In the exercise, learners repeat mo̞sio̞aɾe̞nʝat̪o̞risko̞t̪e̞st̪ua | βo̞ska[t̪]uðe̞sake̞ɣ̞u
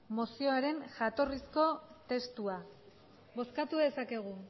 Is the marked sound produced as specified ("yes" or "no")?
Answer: yes